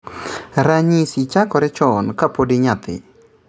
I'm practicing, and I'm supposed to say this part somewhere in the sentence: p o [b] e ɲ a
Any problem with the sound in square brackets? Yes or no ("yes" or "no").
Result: yes